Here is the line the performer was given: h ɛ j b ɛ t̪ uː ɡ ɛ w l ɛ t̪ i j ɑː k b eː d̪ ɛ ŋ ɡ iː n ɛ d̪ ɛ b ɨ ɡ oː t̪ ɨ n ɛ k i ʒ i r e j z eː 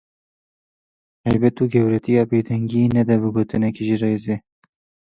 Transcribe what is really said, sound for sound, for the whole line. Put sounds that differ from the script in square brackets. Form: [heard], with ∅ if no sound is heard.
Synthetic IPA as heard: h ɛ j b ɛ t̪ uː ɡ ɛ w [ɾ] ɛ t̪ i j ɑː [∅] b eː d̪ ɛ ŋ ɡ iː n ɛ d̪ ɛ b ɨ ɡ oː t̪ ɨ n ɛ k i ʒ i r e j z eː